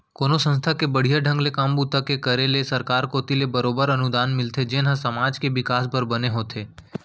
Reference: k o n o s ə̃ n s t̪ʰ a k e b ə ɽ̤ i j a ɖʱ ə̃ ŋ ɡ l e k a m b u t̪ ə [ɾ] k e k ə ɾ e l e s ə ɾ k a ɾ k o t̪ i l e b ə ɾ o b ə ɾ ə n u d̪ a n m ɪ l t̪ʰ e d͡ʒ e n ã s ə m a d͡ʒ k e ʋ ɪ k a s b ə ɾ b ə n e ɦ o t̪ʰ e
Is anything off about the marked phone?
yes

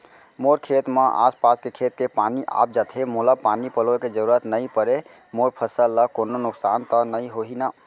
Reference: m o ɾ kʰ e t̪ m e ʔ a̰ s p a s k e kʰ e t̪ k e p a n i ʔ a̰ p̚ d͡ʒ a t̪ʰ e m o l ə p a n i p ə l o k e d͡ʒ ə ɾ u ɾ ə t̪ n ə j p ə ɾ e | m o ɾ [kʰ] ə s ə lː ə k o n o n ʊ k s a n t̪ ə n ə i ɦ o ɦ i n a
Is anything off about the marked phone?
yes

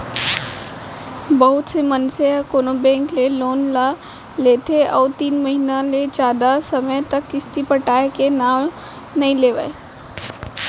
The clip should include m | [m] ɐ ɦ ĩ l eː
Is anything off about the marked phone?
yes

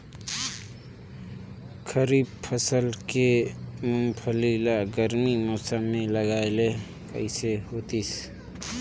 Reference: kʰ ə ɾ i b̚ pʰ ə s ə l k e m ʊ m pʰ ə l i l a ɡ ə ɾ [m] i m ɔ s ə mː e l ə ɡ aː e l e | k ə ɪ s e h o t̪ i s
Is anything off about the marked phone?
no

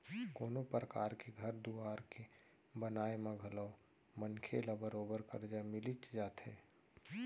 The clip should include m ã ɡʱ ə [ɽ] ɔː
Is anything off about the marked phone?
yes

